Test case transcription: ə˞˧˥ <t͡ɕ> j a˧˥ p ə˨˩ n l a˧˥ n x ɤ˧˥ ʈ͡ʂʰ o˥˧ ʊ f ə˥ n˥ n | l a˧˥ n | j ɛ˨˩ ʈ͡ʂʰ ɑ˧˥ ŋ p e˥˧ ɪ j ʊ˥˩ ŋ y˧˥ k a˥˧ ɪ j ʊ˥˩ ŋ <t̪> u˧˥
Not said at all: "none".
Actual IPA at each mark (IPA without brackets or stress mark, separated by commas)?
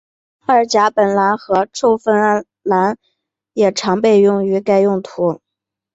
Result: t͡ɕ, t̪ʰ